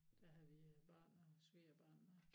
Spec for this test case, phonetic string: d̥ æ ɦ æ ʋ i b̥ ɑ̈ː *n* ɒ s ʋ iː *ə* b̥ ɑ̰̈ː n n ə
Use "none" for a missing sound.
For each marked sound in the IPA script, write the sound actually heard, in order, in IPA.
n, ɐ

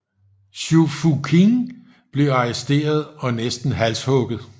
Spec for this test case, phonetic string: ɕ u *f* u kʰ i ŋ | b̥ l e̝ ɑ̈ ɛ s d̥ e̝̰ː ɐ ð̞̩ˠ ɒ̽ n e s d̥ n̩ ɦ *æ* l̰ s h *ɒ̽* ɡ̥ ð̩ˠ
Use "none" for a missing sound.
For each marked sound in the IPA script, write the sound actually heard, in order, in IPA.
f, æ, ɔ̽

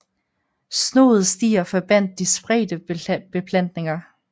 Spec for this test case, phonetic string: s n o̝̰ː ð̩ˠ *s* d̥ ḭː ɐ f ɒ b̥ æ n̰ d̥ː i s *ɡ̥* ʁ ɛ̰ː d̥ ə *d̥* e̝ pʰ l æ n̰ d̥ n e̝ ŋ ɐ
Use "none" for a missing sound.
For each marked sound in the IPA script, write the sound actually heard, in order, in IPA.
s, b̥, b̥

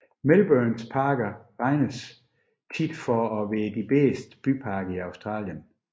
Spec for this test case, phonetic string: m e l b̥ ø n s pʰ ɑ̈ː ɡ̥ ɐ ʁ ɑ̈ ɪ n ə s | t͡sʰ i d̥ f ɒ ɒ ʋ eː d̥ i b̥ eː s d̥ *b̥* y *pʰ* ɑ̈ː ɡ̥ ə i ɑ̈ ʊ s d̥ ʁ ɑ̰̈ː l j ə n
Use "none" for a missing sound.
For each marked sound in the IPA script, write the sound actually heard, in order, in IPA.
b̥, pʰ

